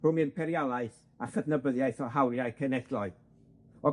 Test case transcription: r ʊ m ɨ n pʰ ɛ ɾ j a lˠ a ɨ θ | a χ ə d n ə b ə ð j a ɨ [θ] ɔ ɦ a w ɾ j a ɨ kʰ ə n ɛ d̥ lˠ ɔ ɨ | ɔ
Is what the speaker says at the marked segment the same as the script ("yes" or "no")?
yes